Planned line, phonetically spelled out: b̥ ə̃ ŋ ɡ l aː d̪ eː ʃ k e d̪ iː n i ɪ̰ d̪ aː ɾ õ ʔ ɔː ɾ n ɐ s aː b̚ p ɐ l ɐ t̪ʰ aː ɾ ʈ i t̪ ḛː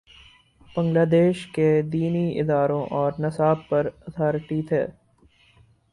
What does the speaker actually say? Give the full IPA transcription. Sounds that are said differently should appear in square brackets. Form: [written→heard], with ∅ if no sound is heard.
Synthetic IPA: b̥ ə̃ ŋ ɡ l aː d̪ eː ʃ k e d̪ iː n i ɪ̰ d̪ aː ɾ õ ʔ ɔː ɾ n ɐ s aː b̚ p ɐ [l→ɾ] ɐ t̪ʰ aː ɾ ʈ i [t̪→t̪ʰ] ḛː

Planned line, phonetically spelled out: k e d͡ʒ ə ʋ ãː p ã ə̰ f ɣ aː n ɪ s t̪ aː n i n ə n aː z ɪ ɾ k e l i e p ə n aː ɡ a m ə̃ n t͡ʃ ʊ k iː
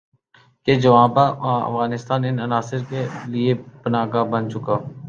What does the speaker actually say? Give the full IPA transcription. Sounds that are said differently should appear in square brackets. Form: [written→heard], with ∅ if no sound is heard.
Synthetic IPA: k e d͡ʒ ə ʋ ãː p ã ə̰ f ɣ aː n ɪ s t̪ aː n [i→ɪ] n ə n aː [z→s] ɪ ɾ k e l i e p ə n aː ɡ a [m→b] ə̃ n t͡ʃ ʊ k [iː→aː]

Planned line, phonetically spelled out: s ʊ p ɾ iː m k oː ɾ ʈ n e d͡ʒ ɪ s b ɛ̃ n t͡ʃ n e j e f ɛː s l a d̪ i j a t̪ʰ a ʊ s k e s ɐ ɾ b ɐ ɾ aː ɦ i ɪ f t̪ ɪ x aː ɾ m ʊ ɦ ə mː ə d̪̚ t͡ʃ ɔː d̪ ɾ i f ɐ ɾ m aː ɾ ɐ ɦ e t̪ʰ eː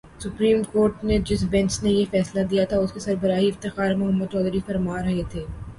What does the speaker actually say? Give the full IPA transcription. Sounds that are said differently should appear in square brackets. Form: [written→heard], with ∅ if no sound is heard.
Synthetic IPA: s ʊ p ɾ iː m k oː ɾ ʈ n e d͡ʒ ɪ s b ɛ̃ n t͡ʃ n e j e f ɛː s l a d̪ i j a t̪ʰ a ʊ s k e s ɐ ɾ b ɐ ɾ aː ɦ i ɪ f t̪ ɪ x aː ɾ m ʊ ɦ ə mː ə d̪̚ t͡ʃ ɔː d̪ ɾ i f ɐ ɾ m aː ɾ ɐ ɦ e t̪ʰ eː

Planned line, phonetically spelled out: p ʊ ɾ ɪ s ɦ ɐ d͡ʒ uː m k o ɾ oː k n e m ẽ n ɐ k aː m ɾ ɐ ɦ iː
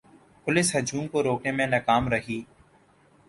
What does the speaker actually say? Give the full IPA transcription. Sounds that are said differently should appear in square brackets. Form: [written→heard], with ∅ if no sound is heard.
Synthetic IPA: p ʊ [ɾ→l] ɪ s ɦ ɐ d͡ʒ uː m k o ɾ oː k n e m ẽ n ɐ k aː m ɾ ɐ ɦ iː

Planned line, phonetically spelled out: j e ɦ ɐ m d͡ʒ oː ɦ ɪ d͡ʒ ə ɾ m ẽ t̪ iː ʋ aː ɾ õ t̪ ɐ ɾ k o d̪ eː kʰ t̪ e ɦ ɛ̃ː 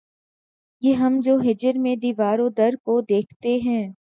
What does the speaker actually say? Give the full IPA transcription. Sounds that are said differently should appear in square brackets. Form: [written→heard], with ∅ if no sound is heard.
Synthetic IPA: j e ɦ ɐ m d͡ʒ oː ɦ ɪ d͡ʒ ə ɾ m ẽ [t̪→d̪] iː ʋ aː ɾ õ [t̪→d̪] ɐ ɾ k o d̪ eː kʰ t̪ e ɦ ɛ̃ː

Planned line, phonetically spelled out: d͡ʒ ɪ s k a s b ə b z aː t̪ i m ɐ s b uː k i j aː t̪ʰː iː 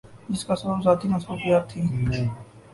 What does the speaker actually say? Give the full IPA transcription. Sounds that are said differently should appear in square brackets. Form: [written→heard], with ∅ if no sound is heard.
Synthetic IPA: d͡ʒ ɪ s k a s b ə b z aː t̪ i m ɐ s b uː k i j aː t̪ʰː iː

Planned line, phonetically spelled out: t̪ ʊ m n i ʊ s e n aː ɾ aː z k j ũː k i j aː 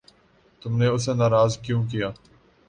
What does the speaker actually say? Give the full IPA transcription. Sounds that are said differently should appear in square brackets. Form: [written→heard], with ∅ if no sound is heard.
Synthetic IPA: t̪ ʊ m n [i→e] ʊ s e n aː ɾ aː z k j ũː k i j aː

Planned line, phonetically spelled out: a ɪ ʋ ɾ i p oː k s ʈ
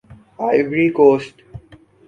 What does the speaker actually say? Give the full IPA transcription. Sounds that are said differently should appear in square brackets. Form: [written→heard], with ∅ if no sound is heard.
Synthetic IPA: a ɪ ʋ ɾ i [p→k] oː [k→∅] s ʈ

